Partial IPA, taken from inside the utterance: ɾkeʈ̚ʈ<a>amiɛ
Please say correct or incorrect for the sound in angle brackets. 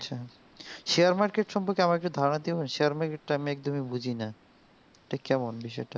correct